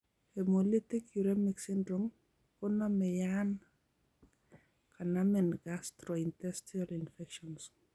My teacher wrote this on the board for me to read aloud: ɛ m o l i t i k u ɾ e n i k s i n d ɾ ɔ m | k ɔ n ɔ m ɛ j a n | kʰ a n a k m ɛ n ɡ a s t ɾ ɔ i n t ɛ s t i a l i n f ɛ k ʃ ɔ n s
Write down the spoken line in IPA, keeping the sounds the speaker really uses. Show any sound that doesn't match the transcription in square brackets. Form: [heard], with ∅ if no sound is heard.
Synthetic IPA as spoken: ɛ m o l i t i k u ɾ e [m] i k s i n d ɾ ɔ m | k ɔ n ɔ m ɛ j a n | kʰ a n a [∅] m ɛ n ɡ a s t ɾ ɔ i n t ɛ s t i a l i n f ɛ k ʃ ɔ n s

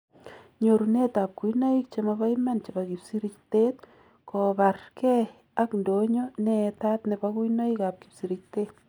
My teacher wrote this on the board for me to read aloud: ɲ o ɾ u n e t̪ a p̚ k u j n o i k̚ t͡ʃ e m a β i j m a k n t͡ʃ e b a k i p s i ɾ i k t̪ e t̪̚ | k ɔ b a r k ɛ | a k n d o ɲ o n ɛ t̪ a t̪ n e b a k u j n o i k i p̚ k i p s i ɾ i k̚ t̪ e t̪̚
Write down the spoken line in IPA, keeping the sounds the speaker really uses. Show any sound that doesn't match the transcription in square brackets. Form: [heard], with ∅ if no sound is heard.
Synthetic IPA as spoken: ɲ o ɾ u n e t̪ a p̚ k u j n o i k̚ t͡ʃ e m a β [a] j m a [∅] n t͡ʃ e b a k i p s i ɾ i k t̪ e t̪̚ | k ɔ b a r k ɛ | a k n d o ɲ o n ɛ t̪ a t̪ n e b a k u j n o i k [a] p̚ k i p s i ɾ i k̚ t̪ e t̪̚

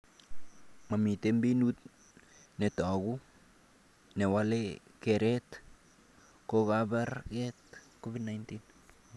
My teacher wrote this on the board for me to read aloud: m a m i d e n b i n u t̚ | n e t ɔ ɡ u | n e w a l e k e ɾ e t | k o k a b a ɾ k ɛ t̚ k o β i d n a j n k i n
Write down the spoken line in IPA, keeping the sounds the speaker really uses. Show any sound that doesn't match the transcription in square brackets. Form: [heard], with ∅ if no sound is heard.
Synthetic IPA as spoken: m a m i [t] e [m] b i n u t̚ | n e t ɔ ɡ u | n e w a l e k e ɾ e t | k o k a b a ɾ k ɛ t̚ k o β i d n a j n [t] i n

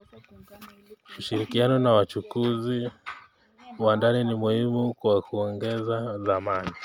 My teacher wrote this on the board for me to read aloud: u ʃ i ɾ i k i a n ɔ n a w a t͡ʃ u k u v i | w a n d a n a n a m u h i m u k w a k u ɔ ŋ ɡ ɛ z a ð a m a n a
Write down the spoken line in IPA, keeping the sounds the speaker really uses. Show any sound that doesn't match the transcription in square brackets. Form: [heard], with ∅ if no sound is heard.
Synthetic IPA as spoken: u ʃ i ɾ i k i a n ɔ n a w a t͡ʃ u k u [z] i | w a n d a n [i] n [i] m u h i m u k w a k u ɔ ŋ ɡ ɛ z a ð a m a n [i]

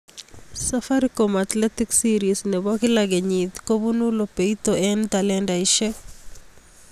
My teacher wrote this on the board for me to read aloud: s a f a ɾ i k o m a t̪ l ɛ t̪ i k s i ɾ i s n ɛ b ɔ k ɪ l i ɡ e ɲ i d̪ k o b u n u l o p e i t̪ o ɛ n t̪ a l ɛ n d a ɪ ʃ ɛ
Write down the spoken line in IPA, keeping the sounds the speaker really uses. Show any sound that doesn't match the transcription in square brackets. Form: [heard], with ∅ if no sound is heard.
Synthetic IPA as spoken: s a f a ɾ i k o m a t̪ l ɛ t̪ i k s i ɾ i s n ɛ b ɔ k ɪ l [a] ɡ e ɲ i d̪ k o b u n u l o p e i t̪ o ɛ n t̪ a l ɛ n d a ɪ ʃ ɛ

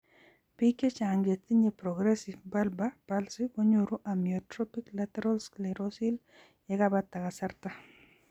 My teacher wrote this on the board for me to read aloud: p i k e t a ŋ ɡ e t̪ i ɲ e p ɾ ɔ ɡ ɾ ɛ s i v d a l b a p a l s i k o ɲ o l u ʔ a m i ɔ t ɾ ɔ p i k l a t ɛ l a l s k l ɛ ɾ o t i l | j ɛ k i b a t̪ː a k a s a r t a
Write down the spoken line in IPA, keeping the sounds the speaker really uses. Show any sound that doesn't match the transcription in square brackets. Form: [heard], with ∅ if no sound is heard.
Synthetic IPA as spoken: p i k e [t͡ʃ] a ŋ ɡ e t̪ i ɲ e p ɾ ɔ ɡ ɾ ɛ s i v [b] a l b a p a l s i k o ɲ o [ɾ] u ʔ a m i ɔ t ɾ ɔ p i k l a t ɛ [ɾ] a l s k l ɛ ɾ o [s] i l | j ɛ k [a] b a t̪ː a k a s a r t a

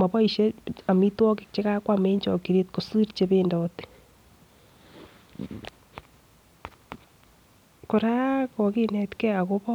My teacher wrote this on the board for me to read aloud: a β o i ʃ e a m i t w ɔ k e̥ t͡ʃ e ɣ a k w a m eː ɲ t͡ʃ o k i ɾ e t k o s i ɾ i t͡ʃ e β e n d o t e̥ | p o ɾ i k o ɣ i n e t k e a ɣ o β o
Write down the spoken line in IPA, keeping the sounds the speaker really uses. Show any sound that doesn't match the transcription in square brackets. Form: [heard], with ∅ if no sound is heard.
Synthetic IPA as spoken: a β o i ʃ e a m i t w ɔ k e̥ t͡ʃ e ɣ a k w a m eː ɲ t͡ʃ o k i ɾ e t k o s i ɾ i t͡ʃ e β e n d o t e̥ | [k] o ɾ [a] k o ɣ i n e t k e a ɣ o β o

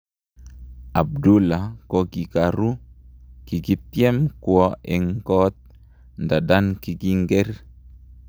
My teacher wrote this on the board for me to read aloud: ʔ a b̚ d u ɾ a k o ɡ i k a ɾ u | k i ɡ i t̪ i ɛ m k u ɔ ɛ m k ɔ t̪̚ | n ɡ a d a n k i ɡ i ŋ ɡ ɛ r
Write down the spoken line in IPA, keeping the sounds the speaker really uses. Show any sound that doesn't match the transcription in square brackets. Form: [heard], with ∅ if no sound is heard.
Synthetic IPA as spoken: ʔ a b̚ d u [l] a k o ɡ i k a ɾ u | k i ɡ i t̪ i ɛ m k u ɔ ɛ [ŋ] k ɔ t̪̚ | n [d] a d a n k i ɡ i ŋ ɡ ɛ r

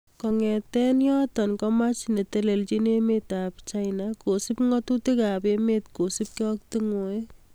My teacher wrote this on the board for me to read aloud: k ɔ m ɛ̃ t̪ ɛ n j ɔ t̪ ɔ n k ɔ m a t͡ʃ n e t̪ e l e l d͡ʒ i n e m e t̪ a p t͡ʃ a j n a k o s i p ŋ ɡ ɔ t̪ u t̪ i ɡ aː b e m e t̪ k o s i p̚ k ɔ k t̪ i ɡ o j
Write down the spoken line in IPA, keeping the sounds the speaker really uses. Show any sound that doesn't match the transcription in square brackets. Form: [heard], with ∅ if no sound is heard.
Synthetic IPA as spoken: k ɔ [ŋ] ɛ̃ t̪ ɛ n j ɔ t̪ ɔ n k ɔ m a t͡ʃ n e t̪ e l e l d͡ʒ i n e m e t̪ a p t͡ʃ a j n a k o s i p ŋ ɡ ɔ t̪ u t̪ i ɡ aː b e m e t̪ k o s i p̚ k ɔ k t̪ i [ŋ] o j

